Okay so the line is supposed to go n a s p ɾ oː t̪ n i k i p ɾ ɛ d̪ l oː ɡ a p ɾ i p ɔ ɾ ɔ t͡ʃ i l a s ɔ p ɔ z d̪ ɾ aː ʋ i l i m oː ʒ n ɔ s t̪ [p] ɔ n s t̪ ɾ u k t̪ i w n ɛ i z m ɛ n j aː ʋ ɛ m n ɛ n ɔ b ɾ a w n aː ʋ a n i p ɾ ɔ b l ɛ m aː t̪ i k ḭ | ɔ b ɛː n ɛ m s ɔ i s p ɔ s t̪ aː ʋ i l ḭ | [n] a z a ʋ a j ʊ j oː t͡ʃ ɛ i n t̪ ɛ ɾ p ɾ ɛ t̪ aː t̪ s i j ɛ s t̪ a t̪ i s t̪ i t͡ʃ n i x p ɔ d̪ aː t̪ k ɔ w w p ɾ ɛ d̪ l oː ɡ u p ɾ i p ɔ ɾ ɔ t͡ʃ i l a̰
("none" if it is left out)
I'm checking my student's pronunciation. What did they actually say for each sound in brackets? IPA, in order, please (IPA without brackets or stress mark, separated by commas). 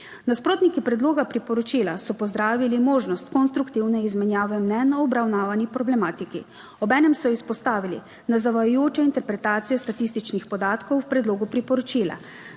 k, n